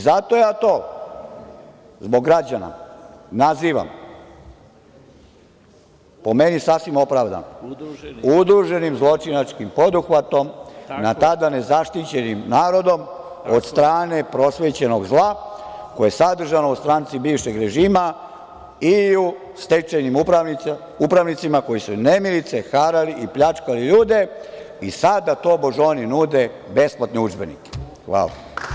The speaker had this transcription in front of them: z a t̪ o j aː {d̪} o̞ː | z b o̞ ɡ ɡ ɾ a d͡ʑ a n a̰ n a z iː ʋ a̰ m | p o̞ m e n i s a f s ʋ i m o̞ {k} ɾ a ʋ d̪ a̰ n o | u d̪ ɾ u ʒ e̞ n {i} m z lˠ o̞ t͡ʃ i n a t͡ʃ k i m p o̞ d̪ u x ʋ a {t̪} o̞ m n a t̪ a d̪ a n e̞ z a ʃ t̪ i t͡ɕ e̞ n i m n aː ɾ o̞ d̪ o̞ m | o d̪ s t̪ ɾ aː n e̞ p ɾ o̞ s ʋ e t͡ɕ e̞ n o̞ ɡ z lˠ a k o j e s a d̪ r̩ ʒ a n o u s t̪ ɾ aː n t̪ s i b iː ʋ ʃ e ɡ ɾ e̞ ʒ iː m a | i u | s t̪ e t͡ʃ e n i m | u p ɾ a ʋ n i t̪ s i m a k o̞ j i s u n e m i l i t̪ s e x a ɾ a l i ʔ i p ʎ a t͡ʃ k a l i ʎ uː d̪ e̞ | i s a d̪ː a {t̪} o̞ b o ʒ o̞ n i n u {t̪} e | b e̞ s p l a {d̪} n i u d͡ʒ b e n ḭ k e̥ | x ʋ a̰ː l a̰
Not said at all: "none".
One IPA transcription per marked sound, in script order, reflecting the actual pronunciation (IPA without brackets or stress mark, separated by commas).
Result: t̪, p, i, t̪, t̪, d̪, t̪